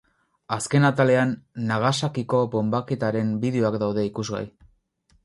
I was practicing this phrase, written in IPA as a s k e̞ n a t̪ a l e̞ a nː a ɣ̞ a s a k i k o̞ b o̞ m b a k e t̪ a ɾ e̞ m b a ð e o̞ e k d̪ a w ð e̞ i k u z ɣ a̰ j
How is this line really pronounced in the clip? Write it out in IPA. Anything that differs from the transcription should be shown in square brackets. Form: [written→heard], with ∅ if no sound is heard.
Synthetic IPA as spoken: a s k e̞ n a t̪ a l e̞ a nː a ɣ̞ a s a k i k o̞ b o̞ m b a k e t̪ a ɾ e̞ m b [a→i] ð e o̞ [e→a] k d̪ a w ð e̞ i k u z ɣ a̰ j